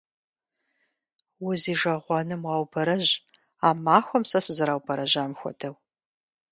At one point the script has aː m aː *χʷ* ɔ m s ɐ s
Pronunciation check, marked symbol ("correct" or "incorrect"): incorrect